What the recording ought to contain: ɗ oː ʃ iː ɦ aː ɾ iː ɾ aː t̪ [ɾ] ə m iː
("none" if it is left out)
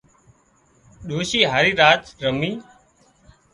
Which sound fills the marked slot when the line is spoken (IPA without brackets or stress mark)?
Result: ɾ